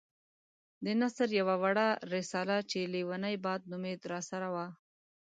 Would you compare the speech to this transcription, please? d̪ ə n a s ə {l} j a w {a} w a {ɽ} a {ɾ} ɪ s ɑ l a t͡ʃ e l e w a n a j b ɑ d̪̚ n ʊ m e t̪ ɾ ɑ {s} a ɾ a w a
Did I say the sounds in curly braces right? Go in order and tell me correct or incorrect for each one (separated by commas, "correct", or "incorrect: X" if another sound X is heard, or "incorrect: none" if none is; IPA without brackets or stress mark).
incorrect: ɾ, correct, correct, correct, correct